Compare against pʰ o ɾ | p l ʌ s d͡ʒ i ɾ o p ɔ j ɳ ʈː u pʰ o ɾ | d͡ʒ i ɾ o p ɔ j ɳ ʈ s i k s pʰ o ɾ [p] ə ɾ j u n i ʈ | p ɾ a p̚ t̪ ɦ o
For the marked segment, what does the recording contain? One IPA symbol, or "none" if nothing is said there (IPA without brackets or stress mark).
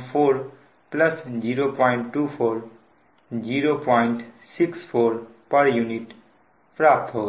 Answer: p